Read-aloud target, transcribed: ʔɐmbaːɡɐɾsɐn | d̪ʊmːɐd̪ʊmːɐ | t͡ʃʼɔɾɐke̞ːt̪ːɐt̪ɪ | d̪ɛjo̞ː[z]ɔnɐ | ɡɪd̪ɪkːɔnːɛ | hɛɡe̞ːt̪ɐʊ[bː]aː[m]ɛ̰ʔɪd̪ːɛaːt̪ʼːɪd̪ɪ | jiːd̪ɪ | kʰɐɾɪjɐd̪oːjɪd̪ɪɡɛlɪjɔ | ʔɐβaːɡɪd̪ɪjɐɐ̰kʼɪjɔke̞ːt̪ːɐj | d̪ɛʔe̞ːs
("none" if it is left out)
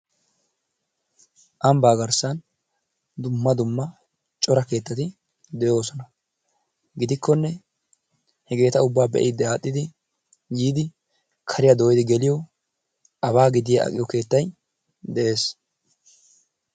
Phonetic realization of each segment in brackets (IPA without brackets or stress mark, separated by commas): s, bː, b